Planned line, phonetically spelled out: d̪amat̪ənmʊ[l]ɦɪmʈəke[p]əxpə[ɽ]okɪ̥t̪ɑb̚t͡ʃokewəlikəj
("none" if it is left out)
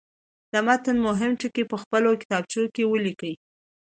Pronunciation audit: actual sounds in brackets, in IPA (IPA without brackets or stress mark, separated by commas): none, p, l